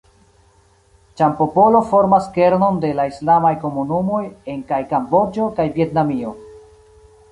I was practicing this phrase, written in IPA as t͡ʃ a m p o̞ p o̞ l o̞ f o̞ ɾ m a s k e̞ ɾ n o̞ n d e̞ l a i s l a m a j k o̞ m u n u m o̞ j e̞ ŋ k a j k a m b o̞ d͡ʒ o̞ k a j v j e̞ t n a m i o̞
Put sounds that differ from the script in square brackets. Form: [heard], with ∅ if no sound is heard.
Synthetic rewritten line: t͡ʃ a m p o̞ p o̞ l o̞ f o̞ ɾ m a s k e̞ ɾ n o̞ n d e̞ l a i s l a m a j k o̞ m u n u m o̞ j e̞ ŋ k a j k a m b o̞ d͡ʒ o̞ k a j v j e̞ t n a m i o̞